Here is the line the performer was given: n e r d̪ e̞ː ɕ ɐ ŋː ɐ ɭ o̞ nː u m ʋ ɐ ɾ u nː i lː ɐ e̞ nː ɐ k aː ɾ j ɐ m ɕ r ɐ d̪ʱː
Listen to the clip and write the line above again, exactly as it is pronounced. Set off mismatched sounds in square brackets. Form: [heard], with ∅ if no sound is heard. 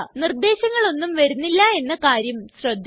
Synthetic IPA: n [i] r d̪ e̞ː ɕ ɐ ŋː ɐ ɭ o̞ nː u m ʋ ɐ ɾ u nː i lː ɐ e̞ nː ɐ k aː ɾ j ɐ m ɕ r ɐ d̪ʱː